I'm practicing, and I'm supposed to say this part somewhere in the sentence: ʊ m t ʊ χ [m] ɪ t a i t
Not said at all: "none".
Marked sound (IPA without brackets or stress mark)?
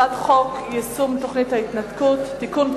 n